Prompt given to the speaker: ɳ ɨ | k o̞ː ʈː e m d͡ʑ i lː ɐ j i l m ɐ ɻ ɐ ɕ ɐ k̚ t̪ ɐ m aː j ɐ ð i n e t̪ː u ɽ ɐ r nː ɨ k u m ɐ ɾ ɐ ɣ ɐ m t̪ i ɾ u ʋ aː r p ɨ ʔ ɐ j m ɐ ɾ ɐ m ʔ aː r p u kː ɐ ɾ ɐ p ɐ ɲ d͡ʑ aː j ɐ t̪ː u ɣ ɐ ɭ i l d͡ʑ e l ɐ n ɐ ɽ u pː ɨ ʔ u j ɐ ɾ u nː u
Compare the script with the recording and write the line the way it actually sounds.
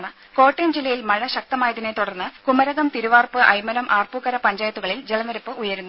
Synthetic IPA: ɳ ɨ | k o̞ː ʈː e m d͡ʑ i lː ɐ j i l m ɐ ɻ ɐ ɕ ɐ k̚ t̪ ɐ m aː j ɐ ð i n e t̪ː u ɽ ɐ r nː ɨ k u m ɐ ɾ ɐ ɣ ɐ m t̪ i ɾ u ʋ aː r p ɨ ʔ ɐ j m ɐ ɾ ɐ m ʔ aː r p u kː ɐ ɾ ɐ p ɐ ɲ d͡ʑ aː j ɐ t̪ː u ɣ ɐ ɭ i l d͡ʑ e l ɐ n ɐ ɾ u pː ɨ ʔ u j ɐ ɾ u nː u